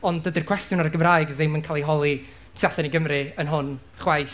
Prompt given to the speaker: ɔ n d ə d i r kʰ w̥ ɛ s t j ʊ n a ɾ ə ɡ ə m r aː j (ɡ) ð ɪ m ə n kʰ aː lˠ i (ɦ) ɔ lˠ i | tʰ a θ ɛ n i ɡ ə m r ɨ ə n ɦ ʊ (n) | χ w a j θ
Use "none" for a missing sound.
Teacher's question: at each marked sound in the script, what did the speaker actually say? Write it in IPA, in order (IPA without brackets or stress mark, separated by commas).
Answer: ɡ, ɦ, n